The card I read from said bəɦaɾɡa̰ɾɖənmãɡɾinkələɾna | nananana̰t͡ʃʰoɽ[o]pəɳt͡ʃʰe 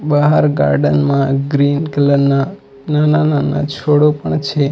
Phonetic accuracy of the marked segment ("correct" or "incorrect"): correct